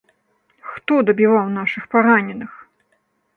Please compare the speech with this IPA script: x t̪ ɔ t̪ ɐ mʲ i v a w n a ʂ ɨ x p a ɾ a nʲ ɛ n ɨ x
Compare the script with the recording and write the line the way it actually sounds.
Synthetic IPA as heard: x t̪ ɔ d̪ ɐ bʲ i v a w n a ʂ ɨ x p a ɾ a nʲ ɛ n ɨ x